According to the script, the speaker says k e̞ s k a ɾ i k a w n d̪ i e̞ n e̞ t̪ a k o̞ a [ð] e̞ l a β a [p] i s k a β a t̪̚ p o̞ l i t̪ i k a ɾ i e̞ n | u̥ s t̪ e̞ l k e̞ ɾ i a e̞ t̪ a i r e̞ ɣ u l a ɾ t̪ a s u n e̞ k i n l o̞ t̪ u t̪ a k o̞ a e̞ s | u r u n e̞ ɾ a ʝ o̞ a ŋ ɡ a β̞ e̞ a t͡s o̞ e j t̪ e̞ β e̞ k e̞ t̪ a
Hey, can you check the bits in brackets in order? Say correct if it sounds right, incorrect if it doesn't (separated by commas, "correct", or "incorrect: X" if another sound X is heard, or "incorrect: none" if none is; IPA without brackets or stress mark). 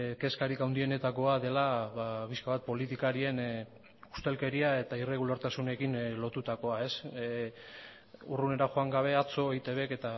correct, correct